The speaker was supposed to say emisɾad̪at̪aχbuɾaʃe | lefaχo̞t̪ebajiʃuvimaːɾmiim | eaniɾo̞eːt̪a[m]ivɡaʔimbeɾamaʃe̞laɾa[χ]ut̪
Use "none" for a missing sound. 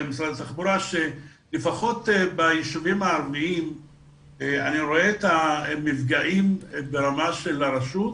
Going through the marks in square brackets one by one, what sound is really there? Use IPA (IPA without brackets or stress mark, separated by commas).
m, ʃ